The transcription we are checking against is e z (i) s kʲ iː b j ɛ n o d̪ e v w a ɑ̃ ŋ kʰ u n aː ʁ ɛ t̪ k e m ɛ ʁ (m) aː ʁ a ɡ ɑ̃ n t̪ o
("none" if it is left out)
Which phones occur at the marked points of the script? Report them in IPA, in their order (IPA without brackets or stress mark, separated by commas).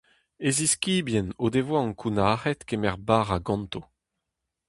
i, b